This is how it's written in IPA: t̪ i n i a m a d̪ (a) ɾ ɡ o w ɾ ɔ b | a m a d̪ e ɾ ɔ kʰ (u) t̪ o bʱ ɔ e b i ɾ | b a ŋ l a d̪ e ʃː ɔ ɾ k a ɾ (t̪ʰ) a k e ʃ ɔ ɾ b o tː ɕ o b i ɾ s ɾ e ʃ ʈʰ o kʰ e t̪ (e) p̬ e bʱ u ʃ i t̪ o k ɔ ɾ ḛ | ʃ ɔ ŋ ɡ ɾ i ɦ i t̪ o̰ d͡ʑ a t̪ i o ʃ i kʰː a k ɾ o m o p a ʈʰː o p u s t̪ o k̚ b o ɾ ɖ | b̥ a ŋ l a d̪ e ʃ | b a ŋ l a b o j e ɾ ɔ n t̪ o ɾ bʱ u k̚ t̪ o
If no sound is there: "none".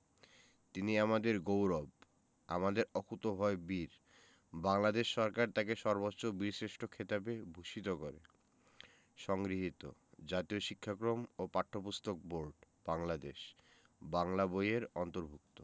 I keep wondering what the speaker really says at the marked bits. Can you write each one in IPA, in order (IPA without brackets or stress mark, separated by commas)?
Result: e, u, t̪, a